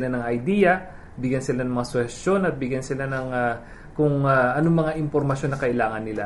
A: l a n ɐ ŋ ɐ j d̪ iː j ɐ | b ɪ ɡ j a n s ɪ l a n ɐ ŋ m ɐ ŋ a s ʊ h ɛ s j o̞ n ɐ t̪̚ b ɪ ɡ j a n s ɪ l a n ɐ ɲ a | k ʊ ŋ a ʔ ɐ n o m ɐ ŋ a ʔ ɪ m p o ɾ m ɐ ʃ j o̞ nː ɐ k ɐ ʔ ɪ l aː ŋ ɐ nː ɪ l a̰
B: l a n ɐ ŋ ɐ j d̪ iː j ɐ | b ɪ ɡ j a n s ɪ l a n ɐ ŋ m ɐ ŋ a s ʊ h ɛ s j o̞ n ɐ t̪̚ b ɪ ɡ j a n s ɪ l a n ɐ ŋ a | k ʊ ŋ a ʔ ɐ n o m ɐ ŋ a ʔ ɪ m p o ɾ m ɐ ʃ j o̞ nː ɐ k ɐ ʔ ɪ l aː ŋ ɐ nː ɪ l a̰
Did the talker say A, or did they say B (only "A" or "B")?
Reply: B